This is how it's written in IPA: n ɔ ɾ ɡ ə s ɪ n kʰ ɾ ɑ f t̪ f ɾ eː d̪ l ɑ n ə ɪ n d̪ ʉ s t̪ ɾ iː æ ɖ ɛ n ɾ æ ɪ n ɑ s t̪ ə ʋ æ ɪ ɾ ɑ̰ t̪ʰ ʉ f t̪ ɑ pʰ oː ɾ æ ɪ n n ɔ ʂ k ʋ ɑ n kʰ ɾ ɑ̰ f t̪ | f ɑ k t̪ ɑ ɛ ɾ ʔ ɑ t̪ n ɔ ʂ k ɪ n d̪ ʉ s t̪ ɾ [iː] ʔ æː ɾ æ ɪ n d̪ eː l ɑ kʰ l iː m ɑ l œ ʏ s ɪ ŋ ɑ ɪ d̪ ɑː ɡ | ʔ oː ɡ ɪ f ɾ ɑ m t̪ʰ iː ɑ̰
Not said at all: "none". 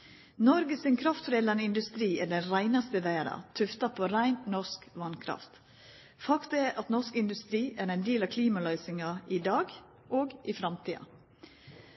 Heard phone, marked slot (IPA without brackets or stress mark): iː